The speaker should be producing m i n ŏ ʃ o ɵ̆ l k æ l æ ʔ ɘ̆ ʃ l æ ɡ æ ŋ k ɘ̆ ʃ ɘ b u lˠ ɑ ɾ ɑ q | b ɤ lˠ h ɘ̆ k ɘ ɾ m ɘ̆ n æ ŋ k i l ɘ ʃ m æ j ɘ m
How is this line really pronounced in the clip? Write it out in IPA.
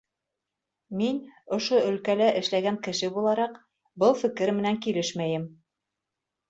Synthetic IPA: m i n ŏ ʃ o ɵ̆ l k æ l æ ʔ ɘ̆ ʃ l æ ɡ æ ŋ k ɘ̆ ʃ ɘ b u lˠ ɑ ɾ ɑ q | b ɤ lˠ f ɘ̆ k ɘ ɾ m ɘ̆ n æ ŋ k i l ɘ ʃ m æ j ɘ m